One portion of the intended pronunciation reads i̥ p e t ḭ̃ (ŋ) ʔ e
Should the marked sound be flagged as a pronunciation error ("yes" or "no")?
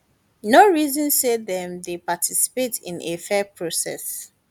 yes